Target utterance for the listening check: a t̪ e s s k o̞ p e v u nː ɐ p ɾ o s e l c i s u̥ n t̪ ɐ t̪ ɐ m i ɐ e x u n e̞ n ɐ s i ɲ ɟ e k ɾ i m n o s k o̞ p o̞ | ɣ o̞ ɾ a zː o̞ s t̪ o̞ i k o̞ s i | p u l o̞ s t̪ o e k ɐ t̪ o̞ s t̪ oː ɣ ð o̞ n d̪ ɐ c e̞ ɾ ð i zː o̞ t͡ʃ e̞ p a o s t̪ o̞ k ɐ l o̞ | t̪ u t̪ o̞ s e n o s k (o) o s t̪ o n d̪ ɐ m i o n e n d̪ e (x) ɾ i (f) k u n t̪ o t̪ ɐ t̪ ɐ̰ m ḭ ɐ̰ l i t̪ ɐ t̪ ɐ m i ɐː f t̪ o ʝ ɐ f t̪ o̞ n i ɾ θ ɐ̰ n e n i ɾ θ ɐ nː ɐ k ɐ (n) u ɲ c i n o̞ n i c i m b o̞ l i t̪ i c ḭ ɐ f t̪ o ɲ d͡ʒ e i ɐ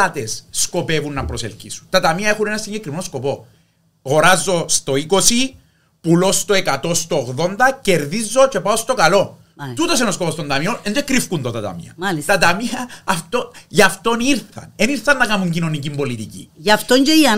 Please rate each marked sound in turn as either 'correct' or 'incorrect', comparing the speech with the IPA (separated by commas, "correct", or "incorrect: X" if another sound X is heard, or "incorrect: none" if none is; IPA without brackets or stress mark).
correct, incorrect: k, correct, incorrect: m